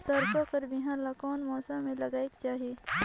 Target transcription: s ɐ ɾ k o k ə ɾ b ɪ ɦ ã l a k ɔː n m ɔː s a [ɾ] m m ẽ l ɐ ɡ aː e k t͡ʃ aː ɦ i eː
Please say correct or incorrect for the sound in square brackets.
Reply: incorrect